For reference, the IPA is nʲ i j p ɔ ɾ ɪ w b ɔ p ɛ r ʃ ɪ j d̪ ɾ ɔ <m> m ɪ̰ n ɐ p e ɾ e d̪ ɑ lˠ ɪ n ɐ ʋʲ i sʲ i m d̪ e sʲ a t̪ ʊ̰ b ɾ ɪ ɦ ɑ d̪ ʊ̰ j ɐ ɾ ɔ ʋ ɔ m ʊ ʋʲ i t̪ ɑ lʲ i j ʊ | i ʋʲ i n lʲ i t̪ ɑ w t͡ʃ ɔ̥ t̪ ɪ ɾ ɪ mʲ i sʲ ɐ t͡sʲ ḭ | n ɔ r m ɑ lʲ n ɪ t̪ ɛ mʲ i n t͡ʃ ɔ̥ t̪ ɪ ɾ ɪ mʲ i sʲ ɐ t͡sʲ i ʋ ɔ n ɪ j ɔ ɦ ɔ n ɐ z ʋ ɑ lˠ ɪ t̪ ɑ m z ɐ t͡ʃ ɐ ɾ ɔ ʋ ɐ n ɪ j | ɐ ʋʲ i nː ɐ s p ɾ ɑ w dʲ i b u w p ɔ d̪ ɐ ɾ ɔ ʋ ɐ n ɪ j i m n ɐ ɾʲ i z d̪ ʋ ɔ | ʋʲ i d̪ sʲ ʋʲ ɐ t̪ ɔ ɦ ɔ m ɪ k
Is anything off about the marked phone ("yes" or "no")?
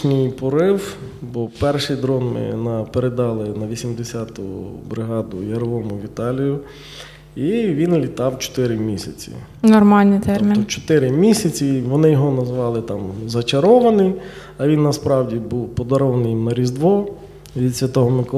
yes